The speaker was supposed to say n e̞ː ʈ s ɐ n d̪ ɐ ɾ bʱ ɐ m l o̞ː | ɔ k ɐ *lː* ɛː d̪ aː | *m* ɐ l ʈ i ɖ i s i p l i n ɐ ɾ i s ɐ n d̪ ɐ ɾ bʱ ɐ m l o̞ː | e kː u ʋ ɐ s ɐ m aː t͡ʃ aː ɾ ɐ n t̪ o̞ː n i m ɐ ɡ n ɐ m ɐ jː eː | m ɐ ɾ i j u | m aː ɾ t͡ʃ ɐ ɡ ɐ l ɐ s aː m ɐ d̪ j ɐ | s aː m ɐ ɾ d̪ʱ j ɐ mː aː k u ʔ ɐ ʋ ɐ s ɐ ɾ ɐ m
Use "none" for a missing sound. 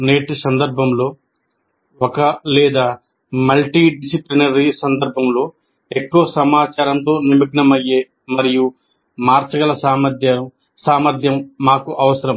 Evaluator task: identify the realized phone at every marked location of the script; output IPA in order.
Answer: l, m

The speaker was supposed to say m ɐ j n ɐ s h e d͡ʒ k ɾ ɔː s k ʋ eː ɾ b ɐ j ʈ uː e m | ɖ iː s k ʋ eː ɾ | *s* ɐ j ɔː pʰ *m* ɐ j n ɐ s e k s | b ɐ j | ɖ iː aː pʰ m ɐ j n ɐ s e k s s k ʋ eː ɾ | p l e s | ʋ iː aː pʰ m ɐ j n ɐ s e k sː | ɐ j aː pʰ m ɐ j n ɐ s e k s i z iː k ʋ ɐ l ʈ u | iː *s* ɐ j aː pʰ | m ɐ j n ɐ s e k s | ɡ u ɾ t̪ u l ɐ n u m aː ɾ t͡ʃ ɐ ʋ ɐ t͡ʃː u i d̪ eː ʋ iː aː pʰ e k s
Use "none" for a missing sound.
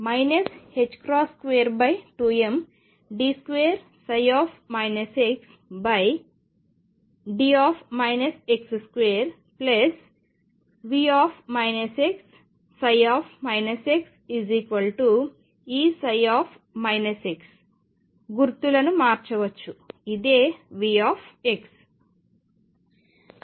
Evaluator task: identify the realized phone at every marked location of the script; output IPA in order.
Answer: s, m, s

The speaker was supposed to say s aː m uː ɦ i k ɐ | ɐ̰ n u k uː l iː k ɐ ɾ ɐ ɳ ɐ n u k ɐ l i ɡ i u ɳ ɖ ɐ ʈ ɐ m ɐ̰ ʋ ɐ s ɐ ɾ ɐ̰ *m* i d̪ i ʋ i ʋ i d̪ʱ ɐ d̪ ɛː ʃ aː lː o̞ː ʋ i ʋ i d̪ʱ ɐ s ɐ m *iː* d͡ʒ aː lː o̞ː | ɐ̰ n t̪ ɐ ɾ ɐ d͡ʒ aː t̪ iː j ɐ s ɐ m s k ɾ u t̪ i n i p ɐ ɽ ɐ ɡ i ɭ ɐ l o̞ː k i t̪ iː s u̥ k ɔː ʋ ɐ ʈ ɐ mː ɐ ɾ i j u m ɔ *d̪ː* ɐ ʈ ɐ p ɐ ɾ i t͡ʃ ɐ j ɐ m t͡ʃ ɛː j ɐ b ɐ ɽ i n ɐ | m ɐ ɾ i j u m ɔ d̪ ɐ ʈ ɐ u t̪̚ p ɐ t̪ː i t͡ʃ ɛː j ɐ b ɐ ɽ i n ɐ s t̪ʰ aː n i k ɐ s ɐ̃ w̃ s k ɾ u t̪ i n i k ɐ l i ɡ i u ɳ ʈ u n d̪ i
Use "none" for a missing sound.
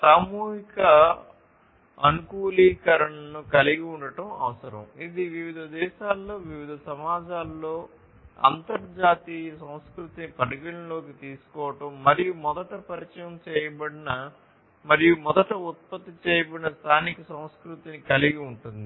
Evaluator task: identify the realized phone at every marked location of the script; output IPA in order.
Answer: m, aː, d̪

